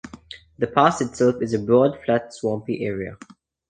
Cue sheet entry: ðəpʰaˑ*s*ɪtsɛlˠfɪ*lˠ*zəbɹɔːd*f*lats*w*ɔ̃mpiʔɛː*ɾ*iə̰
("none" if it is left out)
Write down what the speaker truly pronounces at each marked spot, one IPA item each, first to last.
s, none, f, w, ɹ

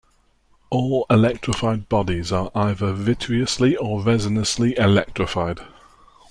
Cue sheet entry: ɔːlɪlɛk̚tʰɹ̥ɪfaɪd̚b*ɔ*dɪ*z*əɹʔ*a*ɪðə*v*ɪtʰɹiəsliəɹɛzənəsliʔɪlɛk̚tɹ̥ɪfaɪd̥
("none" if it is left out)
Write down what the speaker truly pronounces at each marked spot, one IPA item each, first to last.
ɒ, z, a, v

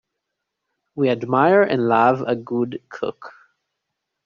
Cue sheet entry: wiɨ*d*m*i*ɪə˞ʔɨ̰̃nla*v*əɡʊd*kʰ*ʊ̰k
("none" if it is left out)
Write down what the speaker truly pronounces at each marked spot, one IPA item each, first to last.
d, a, v, kʰ

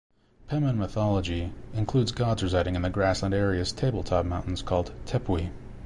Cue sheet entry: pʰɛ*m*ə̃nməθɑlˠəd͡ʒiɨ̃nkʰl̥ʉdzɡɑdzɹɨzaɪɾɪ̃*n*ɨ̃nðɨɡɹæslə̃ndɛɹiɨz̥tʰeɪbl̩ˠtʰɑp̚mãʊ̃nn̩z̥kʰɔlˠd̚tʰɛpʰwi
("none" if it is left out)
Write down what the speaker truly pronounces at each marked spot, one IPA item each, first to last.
m, ŋ

